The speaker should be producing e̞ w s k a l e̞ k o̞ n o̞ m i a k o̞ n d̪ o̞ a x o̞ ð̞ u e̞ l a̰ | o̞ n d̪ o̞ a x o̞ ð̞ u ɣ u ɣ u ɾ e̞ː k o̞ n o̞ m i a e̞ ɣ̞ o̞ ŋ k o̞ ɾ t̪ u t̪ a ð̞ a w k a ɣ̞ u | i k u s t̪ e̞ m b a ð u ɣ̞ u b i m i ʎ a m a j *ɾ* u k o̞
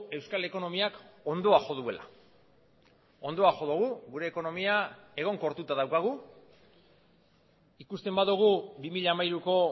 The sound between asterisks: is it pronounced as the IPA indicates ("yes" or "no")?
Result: yes